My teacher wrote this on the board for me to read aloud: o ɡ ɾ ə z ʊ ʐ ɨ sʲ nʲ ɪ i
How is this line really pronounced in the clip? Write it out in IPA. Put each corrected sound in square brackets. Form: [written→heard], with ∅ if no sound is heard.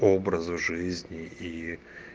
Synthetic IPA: o [ɡ→b] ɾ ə z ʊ ʐ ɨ [sʲ→zʲ] nʲ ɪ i